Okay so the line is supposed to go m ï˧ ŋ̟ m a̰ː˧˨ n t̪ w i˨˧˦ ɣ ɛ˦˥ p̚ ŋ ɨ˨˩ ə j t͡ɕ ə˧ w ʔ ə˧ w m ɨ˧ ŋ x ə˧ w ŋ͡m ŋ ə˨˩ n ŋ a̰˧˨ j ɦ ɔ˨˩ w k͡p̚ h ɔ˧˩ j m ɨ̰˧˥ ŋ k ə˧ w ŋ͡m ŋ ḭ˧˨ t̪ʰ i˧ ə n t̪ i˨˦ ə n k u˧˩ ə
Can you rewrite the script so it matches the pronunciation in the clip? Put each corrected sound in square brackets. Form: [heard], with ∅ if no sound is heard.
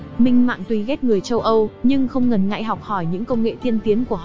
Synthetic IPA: m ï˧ ŋ̟ m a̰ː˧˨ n t̪ w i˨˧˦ ɣ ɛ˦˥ [t̚] ŋ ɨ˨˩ ə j t͡ɕ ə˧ w ʔ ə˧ w [ɲ] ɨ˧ ŋ x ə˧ w ŋ͡m ŋ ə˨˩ n ŋ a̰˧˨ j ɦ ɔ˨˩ w k͡p̚ h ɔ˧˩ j [ɲ] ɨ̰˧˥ ŋ k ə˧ w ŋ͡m ŋ [ḛ˧˨] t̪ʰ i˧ ə n t̪ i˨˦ ə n k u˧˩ ə